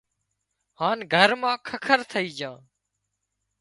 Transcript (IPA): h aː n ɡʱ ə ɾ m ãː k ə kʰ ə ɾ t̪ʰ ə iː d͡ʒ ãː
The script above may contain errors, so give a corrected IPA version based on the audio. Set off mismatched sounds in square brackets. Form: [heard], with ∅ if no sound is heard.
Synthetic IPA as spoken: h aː n ɡʱ ə ɾ m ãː [kʰ] ə kʰ ə ɾ t̪ʰ ə iː d͡ʒ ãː